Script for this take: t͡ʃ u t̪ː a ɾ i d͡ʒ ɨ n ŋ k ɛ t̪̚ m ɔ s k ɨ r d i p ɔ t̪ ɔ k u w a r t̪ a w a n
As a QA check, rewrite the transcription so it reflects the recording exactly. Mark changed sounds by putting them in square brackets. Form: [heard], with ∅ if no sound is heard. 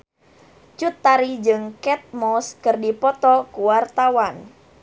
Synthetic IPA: t͡ʃ u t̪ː a ɾ i d͡ʒ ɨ [∅] ŋ k ɛ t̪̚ m ɔ s k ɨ r d i p ɔ t̪ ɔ k u w a r t̪ a w a n